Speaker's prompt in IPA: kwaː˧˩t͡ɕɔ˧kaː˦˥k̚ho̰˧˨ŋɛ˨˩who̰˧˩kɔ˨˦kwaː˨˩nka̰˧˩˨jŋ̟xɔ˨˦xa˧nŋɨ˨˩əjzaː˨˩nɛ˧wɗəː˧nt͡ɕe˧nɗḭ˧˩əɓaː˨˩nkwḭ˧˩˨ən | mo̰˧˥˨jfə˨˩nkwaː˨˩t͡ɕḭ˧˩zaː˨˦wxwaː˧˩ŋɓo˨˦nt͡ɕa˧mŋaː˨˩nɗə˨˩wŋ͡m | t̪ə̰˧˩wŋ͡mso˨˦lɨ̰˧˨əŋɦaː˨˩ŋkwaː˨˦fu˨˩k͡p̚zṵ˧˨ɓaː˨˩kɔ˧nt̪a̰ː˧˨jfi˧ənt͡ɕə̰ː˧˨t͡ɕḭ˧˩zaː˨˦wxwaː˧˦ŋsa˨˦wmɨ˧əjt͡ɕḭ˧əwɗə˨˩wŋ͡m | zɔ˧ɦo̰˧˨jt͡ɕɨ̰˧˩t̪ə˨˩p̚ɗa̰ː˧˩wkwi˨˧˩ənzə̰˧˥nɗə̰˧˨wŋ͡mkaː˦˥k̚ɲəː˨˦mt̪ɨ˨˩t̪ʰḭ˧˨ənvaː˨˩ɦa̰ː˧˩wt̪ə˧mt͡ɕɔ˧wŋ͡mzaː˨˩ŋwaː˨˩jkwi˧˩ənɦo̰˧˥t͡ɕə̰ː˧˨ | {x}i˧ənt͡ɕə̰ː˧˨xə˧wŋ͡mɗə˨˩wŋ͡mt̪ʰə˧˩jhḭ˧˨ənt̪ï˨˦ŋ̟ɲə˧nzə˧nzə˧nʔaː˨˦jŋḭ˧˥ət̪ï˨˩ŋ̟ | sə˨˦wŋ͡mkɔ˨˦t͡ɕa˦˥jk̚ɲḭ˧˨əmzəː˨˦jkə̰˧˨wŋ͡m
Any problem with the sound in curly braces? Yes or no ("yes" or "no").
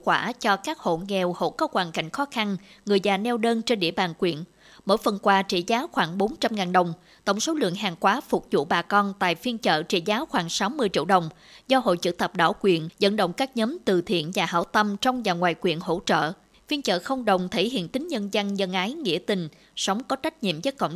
yes